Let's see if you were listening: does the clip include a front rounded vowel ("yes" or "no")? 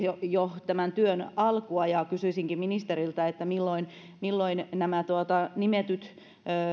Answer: yes